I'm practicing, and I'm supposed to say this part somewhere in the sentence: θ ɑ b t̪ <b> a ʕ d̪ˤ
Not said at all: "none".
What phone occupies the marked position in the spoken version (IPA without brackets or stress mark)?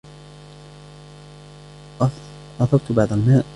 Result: b